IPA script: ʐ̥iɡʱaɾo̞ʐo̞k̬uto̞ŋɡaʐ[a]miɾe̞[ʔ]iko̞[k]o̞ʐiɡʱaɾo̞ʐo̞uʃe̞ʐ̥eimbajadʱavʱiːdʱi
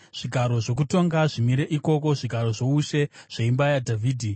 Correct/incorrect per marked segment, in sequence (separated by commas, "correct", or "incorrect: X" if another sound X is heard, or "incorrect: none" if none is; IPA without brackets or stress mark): incorrect: i, correct, correct